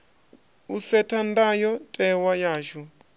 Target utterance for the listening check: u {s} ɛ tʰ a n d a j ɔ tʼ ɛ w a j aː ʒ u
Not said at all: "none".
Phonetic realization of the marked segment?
s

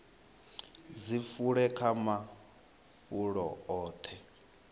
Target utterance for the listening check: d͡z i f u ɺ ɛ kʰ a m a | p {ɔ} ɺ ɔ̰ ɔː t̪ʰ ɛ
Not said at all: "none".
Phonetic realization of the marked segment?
u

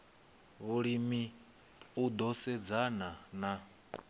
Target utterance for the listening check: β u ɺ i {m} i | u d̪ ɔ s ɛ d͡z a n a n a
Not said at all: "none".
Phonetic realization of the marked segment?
m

